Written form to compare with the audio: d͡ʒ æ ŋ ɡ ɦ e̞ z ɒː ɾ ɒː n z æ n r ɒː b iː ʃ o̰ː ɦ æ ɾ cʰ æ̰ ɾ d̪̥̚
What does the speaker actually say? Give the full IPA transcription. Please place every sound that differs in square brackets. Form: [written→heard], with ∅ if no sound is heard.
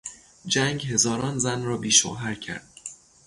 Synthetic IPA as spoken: d͡ʒ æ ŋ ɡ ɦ e̞ z ɒː ɾ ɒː n z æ n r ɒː b iː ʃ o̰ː ɦ æ ɾ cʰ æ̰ ɾ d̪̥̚